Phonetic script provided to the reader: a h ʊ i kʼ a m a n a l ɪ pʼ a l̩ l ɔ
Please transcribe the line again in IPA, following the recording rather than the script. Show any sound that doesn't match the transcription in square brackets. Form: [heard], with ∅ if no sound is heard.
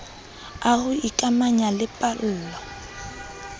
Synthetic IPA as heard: a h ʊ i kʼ a m a [ɲ] a l ɪ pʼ a [l̩ː] l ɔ